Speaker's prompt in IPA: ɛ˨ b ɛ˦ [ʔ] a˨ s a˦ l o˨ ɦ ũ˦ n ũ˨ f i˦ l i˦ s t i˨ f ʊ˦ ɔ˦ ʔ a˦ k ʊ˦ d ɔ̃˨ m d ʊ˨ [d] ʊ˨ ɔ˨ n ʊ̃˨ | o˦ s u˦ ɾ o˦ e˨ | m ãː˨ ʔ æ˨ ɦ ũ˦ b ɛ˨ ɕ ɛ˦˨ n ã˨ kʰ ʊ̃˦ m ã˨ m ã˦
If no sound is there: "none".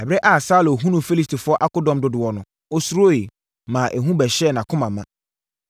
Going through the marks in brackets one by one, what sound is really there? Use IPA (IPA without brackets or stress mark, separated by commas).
ʔ, d